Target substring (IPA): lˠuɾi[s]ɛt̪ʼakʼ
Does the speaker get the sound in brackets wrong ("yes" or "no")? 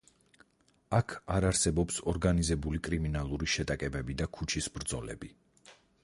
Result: yes